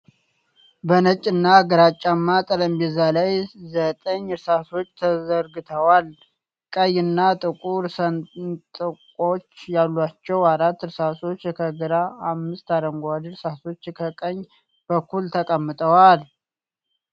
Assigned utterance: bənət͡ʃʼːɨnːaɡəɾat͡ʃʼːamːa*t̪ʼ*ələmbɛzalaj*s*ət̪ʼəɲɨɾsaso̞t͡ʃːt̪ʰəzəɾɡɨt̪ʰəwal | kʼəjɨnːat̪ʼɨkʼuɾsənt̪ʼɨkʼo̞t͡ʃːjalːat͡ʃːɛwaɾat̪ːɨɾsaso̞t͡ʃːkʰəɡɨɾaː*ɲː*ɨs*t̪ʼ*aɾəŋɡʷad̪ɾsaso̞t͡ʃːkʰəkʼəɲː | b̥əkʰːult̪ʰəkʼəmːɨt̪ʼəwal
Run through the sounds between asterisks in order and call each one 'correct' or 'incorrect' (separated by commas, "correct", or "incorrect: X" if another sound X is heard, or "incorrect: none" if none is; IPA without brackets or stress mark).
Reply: correct, incorrect: z, incorrect: mː, incorrect: t̪